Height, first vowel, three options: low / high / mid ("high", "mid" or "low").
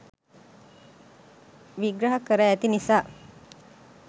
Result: high